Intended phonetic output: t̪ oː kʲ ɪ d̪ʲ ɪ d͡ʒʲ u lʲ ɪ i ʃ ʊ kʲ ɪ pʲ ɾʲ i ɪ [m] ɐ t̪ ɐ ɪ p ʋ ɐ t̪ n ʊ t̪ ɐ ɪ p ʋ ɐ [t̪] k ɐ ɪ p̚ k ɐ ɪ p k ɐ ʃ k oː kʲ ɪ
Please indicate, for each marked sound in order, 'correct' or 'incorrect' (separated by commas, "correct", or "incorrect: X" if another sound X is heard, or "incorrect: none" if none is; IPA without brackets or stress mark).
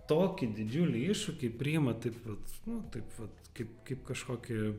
correct, correct